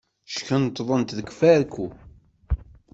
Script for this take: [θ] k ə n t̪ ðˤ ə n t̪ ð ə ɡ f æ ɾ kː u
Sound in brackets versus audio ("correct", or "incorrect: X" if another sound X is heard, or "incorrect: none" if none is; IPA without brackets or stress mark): incorrect: ʃ